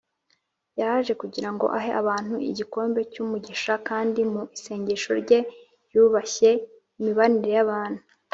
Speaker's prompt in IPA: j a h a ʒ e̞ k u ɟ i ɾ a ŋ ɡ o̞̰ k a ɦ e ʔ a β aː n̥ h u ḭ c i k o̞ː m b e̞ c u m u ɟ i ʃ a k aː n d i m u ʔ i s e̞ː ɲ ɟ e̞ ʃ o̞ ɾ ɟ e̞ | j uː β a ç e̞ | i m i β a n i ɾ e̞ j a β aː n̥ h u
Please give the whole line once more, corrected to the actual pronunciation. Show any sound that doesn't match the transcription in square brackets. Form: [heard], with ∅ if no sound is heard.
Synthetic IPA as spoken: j a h a ʒ e̞ k u ɟ i ɾ a ŋ ɡ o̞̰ [ʔ] a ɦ e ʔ a β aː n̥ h u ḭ [ɟ] i k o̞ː m b e̞ c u m u ɟ i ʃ a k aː n d i m u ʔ i s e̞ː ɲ ɟ e̞ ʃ o̞ ɾ ɟ e̞ | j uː β a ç e̞ | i m i β a n i ɾ e̞ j a β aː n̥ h u